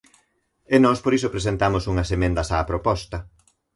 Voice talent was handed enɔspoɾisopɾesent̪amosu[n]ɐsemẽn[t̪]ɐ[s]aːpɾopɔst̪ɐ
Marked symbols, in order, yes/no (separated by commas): no, no, yes